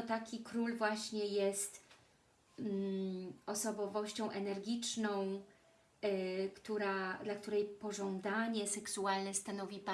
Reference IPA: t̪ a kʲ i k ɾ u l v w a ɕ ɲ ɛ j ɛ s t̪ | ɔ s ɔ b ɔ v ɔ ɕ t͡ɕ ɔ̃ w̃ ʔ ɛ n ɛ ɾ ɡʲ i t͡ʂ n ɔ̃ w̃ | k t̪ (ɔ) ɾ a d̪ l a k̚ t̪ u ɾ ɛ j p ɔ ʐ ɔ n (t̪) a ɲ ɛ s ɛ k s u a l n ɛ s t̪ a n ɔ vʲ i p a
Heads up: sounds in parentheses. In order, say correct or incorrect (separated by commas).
incorrect, incorrect